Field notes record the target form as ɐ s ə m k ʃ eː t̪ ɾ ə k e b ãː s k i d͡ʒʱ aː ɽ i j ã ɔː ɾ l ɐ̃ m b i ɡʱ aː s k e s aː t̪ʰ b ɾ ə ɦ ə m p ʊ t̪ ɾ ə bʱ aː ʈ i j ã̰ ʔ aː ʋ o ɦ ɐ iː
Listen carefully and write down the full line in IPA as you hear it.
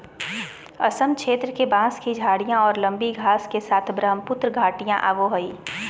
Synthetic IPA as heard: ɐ s ə m k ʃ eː t̪ ɾ ə k e b ãː s k i d͡ʒʱ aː ɽ i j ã ɔː ɾ l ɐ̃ m b i ɡʱ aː s k e s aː t̪ʰ b ɾ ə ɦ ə m p ʊ t̪ ɾ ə ɡʱ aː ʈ i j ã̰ ʔ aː ʋ o ɦ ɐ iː